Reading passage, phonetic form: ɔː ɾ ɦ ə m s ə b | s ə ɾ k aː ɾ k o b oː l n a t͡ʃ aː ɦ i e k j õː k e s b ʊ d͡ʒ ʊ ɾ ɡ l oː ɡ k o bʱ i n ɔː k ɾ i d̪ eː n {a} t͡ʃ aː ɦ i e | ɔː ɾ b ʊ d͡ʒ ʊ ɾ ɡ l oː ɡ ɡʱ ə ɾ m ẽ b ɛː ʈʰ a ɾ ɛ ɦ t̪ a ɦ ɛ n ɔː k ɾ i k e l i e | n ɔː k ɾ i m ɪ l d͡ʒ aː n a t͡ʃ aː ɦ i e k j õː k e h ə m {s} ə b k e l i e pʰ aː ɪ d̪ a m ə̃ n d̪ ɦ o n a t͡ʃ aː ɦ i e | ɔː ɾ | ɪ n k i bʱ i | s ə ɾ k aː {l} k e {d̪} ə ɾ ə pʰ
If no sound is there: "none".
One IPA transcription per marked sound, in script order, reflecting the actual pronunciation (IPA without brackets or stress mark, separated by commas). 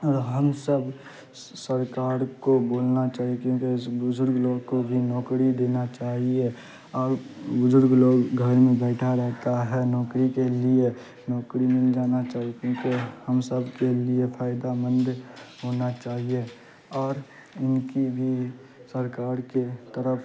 a, s, ɾ, t̪